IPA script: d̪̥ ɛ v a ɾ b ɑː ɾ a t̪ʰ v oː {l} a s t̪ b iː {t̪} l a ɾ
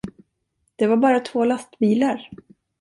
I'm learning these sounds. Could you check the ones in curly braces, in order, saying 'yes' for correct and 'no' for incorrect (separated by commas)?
yes, no